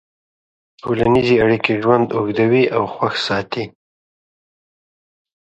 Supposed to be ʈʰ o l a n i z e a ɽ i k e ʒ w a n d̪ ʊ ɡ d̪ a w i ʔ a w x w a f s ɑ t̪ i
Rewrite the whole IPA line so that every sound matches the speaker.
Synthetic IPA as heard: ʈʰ o l a n i z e a ɽ i k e ʒ w a n d̪ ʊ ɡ d̪ a w i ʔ a w x w a x s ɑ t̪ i